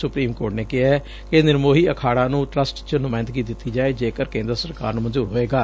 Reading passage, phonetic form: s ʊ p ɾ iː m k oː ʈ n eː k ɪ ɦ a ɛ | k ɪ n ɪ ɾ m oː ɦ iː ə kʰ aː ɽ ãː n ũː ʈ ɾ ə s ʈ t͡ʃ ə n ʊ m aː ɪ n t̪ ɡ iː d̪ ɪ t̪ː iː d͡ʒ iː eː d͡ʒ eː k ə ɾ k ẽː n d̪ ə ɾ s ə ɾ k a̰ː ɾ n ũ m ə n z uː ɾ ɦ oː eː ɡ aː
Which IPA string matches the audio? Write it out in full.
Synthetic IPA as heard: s ʊ p ɾ iː m k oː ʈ n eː k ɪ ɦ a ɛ | k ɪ n ɪ ɾ m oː ɦ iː ə kʰ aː ɽ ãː n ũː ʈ ɾ ə s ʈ t͡ʃ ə n ʊ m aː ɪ n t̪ ɡ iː d̪ ɪ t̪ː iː d͡ʒ aː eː d͡ʒ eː k ə ɾ k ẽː n d̪ ə ɾ s ə ɾ k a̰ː ɾ n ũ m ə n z uː ɾ ɦ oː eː ɡ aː